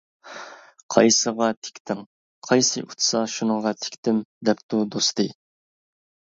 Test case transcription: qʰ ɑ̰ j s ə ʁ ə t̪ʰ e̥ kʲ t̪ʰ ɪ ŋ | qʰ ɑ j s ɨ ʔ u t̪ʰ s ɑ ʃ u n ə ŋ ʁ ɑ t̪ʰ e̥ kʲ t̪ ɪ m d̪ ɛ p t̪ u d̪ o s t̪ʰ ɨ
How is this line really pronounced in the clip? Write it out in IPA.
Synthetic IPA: qʰ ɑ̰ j s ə ʁ ɑ t̪ʰ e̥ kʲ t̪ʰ ɪ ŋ | qʰ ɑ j s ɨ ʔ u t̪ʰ s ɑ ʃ u n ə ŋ ʁ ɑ t̪ʰ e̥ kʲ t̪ ɪ m d̪ ɛ p t̪ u d̪ o s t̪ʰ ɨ